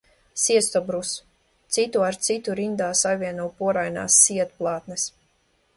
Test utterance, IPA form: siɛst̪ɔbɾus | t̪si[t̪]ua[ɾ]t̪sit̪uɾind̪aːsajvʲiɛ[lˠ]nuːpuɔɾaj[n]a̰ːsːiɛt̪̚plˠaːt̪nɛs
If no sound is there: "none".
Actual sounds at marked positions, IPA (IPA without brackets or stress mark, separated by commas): t̪, ɾ, none, n